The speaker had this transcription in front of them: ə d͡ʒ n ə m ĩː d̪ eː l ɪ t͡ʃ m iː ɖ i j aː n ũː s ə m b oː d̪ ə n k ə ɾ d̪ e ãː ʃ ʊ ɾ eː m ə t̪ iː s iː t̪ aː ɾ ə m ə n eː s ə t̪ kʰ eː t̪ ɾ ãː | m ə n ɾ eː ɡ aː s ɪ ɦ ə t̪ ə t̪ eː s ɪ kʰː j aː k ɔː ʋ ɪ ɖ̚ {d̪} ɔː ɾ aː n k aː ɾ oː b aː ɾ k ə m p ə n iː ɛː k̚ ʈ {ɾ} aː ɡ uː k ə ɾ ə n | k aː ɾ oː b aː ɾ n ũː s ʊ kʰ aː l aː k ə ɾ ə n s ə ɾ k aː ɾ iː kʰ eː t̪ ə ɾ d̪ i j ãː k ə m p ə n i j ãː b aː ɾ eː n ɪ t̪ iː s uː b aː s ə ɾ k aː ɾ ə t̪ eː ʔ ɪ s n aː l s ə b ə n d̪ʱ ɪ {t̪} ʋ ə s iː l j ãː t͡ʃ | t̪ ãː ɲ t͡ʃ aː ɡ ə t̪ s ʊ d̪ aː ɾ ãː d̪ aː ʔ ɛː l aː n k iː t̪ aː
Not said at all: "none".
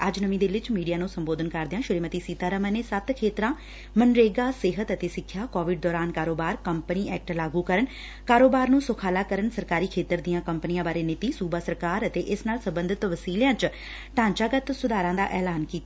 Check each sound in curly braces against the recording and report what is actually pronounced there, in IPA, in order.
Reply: d̪, l, t̪

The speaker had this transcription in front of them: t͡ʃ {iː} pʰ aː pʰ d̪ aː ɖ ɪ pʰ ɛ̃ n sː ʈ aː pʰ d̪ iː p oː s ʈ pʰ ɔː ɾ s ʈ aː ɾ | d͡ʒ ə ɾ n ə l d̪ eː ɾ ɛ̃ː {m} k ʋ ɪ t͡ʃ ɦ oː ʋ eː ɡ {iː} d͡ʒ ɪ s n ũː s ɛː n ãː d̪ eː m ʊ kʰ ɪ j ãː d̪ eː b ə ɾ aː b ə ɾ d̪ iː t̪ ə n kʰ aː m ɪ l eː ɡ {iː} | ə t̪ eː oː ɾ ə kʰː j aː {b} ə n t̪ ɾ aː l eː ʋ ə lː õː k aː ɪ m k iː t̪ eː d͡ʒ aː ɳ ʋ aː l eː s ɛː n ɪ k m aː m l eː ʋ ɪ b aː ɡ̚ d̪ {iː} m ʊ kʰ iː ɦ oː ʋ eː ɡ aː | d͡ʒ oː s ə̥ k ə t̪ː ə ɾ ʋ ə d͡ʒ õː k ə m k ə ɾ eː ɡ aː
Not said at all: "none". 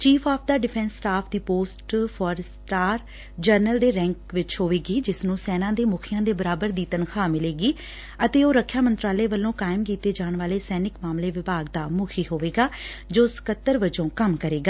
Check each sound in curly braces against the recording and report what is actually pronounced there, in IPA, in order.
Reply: iː, ŋ, iː, iː, m, aː

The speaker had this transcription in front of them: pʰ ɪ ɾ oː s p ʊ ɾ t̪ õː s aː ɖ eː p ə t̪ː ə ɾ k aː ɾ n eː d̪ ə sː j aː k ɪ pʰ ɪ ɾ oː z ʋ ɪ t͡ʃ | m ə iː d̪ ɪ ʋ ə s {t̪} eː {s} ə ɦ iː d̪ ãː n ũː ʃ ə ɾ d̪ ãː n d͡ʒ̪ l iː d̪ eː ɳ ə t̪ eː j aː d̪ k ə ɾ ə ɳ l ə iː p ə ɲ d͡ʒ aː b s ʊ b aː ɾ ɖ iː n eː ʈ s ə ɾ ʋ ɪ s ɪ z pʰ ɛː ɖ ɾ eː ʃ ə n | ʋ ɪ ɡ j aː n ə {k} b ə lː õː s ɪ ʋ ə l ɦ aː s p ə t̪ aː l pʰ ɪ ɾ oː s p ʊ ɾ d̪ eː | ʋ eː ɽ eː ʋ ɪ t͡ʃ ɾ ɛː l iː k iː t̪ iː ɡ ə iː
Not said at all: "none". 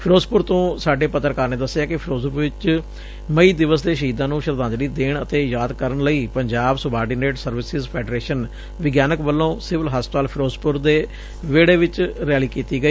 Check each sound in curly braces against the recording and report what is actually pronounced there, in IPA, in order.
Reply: d̪, ʃ, k

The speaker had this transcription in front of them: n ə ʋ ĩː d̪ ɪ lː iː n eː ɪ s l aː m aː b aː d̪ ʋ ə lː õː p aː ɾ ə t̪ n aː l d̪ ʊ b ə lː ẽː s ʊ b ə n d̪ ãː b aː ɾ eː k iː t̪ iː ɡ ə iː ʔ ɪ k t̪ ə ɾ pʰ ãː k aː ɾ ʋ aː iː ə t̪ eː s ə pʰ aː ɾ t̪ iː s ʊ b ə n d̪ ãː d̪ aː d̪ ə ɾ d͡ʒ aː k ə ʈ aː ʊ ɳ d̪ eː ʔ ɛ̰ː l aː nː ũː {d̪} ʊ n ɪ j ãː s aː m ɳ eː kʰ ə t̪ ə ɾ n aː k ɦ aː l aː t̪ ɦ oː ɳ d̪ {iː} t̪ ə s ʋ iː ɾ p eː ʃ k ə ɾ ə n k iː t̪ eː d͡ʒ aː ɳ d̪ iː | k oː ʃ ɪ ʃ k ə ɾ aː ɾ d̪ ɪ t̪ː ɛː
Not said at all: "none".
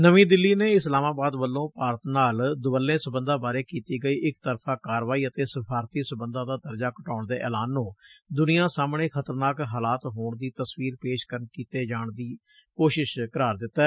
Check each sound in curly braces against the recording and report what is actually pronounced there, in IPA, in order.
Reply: d̪, iː

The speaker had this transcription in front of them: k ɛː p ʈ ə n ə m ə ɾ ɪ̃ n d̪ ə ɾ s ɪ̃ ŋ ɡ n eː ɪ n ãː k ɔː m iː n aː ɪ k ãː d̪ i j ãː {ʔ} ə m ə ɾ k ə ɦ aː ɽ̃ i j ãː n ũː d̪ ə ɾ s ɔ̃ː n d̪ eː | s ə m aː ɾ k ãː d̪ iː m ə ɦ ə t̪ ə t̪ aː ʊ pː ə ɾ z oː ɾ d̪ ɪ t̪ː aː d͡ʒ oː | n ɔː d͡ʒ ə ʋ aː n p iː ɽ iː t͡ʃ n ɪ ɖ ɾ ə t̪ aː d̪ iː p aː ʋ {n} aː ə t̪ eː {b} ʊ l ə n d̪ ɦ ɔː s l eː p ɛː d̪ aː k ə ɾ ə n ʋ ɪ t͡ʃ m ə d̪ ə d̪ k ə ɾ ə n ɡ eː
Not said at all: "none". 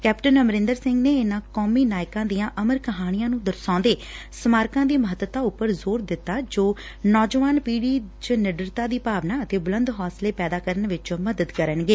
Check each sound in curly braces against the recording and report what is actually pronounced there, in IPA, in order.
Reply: ʔ, n, b

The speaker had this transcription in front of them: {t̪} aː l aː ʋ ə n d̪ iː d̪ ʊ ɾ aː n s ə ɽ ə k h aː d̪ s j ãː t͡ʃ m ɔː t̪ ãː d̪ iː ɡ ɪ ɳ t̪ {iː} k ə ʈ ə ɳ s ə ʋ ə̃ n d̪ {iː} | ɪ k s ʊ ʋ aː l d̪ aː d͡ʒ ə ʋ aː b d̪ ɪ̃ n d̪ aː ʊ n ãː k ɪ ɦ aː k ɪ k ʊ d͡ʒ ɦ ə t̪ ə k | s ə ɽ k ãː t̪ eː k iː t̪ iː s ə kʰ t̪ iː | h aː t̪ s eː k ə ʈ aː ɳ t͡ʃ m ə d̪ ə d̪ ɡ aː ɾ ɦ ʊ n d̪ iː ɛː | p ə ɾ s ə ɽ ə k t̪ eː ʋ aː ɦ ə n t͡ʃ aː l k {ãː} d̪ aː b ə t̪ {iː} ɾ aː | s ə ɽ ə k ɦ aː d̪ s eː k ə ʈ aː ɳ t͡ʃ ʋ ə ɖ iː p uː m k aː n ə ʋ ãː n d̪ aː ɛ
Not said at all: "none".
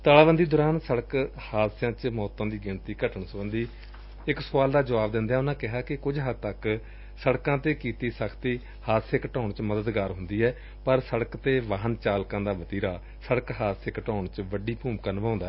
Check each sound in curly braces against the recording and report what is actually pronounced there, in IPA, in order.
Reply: t̪, iː, iː, ãː, iː

